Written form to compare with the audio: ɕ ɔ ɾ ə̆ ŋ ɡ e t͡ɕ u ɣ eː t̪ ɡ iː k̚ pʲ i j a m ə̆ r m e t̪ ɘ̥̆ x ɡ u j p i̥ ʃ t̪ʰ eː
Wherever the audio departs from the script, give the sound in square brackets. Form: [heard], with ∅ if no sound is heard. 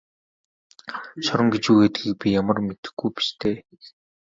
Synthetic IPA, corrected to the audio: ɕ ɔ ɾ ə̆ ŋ ɡ e t͡ɕ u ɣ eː t̪ ɡ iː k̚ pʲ i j a m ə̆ r m e t̪ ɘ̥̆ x ɡ u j p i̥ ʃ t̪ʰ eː